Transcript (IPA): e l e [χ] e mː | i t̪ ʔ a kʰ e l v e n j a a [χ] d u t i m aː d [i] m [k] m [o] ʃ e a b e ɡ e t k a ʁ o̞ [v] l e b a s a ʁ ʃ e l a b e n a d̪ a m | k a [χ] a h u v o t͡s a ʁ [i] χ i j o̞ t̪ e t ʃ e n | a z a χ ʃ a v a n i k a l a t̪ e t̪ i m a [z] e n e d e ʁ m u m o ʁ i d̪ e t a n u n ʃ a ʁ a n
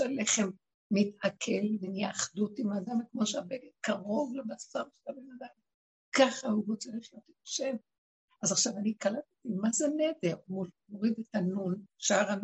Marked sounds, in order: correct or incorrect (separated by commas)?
correct, correct, incorrect, correct, correct, correct, correct, correct, correct